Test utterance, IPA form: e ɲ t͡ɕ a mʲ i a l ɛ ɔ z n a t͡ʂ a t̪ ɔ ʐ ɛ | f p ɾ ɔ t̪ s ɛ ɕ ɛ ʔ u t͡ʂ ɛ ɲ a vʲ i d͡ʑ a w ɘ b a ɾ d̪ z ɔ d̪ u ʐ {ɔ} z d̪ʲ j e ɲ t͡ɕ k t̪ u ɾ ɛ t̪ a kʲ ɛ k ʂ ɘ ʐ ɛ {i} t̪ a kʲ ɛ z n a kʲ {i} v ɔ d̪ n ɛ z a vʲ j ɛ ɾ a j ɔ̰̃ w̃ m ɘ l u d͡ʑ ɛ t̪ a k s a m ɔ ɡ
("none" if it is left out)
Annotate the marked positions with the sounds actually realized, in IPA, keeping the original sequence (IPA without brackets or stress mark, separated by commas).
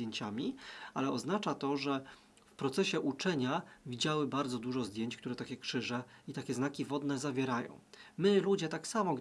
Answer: ɔ, i, i